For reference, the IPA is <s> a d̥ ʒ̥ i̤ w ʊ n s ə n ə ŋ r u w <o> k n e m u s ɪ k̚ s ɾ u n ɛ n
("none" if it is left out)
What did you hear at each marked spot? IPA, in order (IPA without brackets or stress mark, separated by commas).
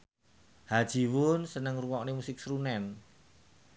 h, ɔ